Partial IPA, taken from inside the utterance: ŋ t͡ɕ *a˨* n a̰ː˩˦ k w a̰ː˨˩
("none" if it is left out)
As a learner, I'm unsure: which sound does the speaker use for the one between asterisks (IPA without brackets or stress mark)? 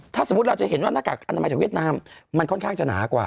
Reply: a˨